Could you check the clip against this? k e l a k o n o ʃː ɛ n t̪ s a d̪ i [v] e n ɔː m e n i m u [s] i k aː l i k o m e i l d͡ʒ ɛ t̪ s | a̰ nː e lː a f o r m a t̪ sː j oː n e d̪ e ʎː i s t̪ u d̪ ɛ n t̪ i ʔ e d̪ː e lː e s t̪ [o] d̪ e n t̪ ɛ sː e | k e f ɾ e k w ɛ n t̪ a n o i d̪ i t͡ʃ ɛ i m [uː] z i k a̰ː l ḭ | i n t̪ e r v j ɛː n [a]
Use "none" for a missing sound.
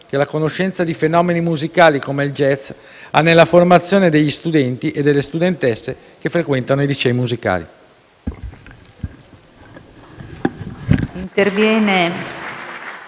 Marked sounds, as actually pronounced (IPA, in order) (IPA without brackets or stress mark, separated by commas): f, z, u, u, e